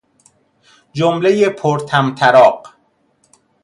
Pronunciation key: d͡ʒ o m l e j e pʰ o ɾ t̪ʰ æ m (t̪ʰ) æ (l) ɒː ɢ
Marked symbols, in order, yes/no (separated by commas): yes, no